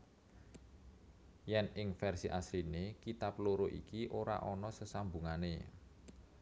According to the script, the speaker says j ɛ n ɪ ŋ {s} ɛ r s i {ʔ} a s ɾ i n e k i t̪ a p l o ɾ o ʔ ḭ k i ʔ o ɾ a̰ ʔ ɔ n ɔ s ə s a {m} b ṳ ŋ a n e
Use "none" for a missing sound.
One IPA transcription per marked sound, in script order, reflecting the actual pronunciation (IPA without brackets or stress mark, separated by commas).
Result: f, ʔ, m